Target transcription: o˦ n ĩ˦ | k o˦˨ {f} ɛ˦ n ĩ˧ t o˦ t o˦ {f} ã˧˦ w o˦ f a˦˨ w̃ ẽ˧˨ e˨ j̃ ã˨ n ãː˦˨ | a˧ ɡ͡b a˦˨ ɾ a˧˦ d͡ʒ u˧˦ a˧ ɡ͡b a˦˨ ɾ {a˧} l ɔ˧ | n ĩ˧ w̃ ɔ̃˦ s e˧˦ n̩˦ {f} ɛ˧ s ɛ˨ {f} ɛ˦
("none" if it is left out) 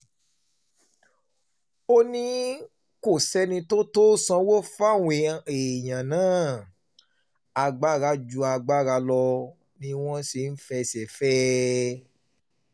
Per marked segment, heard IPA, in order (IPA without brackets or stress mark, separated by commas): s, s, a˧, f, f